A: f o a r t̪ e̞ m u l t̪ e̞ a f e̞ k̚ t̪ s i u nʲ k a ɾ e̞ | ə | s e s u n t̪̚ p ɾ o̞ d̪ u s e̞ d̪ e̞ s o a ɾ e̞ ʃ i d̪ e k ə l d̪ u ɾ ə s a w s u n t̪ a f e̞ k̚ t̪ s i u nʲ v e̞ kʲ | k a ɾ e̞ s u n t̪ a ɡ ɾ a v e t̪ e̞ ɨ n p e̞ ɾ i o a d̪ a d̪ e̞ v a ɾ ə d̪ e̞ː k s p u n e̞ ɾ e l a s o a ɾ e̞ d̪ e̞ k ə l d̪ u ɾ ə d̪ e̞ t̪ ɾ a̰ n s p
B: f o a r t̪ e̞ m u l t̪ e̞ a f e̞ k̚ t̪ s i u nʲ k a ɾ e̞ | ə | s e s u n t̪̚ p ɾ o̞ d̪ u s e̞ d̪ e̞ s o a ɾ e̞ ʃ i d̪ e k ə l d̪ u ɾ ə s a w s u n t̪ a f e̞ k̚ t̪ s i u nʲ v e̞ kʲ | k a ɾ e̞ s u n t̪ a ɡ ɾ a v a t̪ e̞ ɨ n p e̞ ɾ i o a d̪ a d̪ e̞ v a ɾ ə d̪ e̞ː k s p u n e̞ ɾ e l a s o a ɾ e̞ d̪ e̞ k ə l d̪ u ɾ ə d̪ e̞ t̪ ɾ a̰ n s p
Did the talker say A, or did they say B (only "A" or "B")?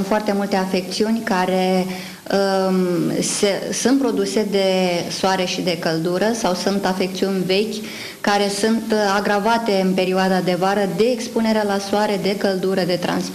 B